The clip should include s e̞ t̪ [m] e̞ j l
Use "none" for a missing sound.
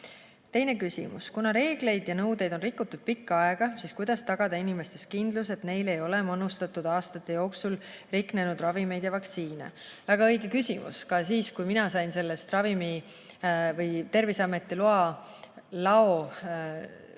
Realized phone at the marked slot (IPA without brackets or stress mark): n